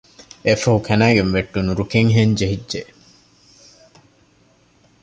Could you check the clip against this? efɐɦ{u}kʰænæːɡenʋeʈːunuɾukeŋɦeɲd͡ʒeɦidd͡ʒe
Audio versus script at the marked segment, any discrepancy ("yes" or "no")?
no